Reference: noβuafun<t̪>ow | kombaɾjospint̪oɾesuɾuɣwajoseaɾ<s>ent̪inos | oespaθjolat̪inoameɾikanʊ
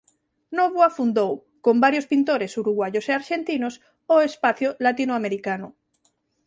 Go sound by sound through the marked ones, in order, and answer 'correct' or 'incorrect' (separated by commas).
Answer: incorrect, incorrect